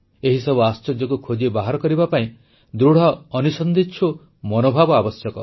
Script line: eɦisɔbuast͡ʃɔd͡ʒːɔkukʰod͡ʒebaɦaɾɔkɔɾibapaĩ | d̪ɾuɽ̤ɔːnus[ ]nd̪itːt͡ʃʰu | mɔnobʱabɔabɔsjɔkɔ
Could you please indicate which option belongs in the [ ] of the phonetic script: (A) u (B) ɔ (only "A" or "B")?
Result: B